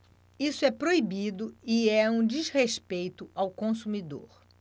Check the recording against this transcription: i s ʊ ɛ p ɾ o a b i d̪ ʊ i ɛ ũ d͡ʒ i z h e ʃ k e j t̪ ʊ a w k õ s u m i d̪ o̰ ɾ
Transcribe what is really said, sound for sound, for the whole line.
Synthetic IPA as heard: i s ʊ ɛ p ɾ o i b i d̪ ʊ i ɛ ũ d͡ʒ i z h e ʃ p e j t̪ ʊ a w k õ s u m i d̪ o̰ ɾ